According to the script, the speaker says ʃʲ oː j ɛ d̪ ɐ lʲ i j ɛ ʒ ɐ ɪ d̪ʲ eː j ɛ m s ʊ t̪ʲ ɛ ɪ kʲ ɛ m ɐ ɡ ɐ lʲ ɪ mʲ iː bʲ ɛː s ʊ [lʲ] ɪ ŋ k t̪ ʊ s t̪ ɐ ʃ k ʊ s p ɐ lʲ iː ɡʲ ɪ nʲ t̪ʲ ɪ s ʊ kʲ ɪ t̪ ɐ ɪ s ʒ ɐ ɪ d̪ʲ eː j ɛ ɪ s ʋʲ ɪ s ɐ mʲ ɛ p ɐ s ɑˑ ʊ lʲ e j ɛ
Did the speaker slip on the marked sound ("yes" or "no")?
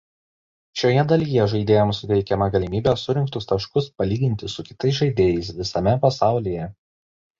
yes